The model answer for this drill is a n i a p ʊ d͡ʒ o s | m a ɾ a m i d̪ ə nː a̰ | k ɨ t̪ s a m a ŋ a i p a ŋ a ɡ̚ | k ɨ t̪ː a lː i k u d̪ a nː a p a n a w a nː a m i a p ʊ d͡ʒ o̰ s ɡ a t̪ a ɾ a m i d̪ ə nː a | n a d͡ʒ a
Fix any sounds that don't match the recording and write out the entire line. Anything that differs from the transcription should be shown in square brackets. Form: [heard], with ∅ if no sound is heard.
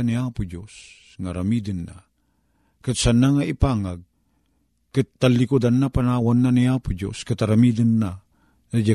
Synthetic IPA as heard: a n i a p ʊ d͡ʒ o s | [ŋ] a ɾ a m i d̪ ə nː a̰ | k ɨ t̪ s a [n] a ŋ a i p a ŋ a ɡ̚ | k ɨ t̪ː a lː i k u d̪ a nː a p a n a w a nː a [n] i a p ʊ d͡ʒ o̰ s [k] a t̪ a ɾ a m i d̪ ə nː a | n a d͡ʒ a